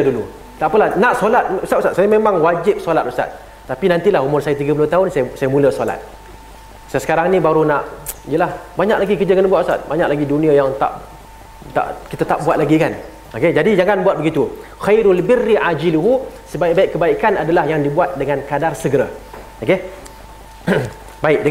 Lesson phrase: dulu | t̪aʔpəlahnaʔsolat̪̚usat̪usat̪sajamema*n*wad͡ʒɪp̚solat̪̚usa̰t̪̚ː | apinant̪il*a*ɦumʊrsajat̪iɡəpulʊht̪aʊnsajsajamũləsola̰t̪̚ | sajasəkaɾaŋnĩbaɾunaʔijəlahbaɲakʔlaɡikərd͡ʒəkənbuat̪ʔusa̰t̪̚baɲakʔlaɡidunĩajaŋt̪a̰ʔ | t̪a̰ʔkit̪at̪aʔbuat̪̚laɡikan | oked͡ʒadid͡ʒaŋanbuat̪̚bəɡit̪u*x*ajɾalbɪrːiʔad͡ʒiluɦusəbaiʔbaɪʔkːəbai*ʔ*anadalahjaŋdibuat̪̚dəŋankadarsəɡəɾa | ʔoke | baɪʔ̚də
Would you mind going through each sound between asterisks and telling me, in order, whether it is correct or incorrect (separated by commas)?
incorrect, correct, correct, incorrect